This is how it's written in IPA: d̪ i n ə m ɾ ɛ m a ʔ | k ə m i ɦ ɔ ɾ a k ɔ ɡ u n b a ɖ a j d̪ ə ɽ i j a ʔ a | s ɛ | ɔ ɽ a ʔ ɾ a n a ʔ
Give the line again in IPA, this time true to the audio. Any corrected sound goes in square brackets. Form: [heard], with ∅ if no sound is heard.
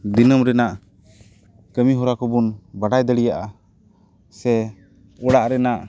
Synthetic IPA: d̪ i n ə m ɾ ɛ [n] a ʔ | k ə m i ɦ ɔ ɾ a k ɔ [b] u n b a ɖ a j d̪ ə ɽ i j a ʔ a | s ɛ | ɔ ɽ a ʔ ɾ [ɛ] n a ʔ